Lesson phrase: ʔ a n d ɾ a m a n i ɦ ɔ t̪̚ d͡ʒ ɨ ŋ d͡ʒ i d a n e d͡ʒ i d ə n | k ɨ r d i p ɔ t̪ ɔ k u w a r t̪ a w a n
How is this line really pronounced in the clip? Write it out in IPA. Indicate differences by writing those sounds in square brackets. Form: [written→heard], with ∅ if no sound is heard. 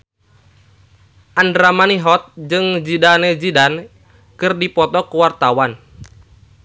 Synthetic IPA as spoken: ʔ a n d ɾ a m a n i ɦ ɔ t̪̚ d͡ʒ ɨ ŋ d͡ʒ i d a n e d͡ʒ i d [ə→a] n | k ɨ r d i p ɔ t̪ ɔ k u w a r t̪ a w a n